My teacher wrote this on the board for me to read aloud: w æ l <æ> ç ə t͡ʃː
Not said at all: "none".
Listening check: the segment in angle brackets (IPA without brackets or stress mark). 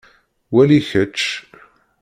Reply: i